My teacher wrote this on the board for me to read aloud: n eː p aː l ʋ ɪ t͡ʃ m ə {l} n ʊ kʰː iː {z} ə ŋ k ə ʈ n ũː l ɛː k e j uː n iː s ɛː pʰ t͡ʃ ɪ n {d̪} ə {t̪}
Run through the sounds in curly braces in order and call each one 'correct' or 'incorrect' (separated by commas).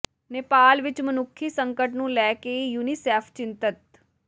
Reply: incorrect, incorrect, incorrect, correct